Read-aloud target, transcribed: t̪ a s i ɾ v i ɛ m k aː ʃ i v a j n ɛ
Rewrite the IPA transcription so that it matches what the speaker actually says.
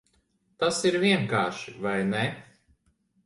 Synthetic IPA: t̪ a s i ɾ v i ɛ ŋ k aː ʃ i v a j n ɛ